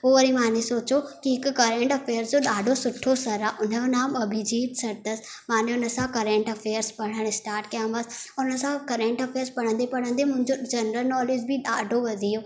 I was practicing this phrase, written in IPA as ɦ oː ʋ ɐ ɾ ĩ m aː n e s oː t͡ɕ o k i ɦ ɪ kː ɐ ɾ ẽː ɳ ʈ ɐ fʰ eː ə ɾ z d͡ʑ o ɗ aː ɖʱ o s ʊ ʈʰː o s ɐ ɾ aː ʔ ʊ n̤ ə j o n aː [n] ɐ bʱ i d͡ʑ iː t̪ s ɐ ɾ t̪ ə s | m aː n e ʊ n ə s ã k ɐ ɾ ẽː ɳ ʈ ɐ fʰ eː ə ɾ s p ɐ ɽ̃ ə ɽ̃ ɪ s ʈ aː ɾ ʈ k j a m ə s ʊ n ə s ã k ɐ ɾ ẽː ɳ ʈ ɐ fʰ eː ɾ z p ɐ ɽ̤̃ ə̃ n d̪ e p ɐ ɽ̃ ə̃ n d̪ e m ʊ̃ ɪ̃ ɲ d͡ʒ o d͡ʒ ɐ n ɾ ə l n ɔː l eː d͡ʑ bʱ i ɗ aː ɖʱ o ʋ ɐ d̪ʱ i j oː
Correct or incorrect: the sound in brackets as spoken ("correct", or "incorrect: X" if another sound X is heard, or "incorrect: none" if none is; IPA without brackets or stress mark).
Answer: incorrect: m